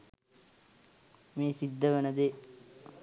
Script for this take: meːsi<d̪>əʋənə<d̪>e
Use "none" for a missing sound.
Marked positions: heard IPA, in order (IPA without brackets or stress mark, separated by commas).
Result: d̪ː, d̪